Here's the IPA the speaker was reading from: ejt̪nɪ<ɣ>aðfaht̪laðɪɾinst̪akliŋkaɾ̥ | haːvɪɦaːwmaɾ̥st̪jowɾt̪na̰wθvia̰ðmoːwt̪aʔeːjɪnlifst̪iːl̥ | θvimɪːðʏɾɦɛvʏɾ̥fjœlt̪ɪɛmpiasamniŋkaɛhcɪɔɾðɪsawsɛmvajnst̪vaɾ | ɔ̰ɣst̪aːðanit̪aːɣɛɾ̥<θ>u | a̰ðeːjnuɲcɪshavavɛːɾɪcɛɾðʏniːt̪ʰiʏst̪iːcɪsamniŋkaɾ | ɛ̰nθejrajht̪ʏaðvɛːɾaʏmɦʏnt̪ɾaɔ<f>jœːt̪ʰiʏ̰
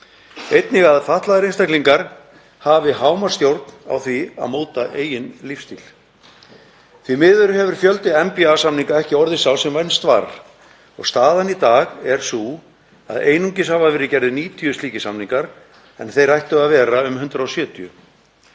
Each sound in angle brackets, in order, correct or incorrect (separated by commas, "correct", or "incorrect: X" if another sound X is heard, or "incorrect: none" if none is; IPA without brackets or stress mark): correct, incorrect: s, incorrect: s